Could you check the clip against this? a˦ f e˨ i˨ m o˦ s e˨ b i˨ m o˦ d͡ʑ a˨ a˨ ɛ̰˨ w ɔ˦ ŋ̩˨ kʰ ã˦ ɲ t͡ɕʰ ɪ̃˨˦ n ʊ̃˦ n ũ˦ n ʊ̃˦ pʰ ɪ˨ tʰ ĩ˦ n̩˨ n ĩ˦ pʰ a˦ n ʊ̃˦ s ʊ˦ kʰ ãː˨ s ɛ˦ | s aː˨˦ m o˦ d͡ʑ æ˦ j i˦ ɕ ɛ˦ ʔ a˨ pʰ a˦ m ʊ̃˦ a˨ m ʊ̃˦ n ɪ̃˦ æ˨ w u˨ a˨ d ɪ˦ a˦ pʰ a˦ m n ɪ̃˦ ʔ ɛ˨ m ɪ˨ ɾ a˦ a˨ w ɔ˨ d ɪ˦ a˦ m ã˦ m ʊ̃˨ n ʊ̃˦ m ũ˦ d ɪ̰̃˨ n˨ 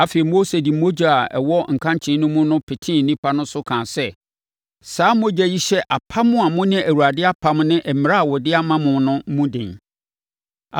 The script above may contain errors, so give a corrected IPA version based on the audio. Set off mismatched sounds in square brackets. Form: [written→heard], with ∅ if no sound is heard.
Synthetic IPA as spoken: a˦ f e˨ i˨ m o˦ s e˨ [b→d] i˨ m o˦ d͡ʑ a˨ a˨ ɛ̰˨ w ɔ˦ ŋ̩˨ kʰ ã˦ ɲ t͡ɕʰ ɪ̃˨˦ n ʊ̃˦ [n→m] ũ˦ n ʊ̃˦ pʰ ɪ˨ tʰ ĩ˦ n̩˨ n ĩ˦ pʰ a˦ n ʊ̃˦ s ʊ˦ kʰ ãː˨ s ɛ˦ | s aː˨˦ m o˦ d͡ʑ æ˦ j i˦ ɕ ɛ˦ ʔ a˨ pʰ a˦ m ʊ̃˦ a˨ m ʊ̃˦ n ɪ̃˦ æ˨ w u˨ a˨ d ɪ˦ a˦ pʰ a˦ m n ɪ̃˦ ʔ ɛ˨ m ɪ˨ ɾ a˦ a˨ w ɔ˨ d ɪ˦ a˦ m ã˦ m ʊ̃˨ n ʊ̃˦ m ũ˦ d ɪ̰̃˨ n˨